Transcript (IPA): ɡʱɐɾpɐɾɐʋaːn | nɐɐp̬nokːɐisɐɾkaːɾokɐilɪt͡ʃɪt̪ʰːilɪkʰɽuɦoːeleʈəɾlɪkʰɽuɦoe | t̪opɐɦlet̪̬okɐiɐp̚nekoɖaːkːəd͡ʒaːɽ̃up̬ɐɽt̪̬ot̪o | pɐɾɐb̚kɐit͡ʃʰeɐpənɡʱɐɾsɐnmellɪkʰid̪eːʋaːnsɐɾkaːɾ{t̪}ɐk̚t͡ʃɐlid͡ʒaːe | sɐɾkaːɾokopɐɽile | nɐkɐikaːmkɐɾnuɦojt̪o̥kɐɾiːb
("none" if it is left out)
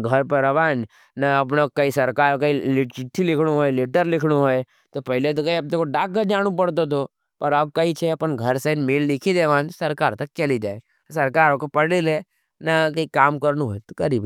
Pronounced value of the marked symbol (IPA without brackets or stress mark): t̪